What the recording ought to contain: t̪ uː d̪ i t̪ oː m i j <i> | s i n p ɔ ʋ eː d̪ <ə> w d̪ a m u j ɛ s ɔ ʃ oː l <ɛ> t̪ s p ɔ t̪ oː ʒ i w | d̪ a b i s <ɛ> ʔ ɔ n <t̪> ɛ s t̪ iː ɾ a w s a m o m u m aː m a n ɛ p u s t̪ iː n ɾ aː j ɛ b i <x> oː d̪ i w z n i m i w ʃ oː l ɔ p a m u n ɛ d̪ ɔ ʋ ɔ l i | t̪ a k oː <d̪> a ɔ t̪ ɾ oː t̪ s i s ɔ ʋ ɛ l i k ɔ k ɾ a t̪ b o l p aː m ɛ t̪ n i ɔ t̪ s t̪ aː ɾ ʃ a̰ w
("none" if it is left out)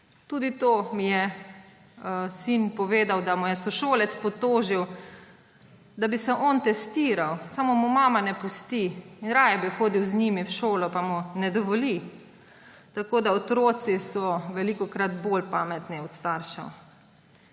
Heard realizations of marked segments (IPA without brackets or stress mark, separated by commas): ɛ, a, ɛ, ɛ, t̪, x, d̪